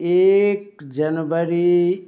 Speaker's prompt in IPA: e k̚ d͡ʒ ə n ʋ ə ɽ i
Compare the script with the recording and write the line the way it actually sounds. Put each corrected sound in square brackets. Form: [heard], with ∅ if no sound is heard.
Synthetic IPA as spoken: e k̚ d͡ʒ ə n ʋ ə [ɾ] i